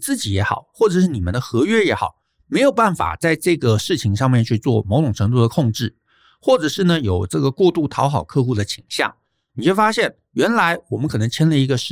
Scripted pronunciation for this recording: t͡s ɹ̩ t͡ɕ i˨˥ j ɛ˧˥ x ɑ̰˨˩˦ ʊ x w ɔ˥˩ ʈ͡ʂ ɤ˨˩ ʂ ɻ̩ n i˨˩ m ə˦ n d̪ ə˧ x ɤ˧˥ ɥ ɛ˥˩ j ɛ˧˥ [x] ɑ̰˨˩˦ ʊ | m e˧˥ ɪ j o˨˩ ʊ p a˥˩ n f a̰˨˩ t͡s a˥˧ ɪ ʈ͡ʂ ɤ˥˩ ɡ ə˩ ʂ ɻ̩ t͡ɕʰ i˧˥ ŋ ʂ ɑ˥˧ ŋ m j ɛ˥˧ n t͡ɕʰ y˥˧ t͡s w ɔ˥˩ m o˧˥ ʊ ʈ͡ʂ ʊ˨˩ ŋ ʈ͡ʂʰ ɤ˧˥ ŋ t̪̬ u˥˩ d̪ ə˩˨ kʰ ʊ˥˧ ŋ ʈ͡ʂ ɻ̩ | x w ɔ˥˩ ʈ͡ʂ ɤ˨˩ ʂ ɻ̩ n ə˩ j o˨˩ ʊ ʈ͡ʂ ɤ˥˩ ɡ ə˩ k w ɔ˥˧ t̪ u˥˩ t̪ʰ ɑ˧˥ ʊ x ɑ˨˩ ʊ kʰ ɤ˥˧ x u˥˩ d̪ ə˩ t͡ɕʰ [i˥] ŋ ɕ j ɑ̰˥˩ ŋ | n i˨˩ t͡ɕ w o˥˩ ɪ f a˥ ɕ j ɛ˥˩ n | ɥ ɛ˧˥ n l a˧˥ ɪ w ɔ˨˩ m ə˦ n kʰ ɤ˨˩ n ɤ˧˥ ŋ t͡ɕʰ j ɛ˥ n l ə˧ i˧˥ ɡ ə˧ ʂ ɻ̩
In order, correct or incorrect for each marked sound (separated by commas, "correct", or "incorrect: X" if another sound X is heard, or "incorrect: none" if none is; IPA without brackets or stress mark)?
correct, incorrect: i˨˩